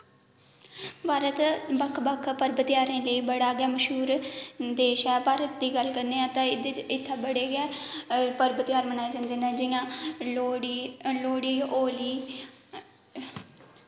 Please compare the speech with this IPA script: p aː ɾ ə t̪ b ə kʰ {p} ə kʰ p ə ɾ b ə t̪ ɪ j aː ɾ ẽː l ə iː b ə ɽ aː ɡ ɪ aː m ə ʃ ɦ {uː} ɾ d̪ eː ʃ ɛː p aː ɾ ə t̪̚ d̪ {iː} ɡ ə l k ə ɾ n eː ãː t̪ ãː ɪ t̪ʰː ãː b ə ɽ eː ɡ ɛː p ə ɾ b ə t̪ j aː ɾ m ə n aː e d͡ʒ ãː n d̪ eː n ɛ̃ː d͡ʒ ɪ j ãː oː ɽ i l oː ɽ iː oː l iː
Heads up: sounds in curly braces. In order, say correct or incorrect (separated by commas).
incorrect, correct, correct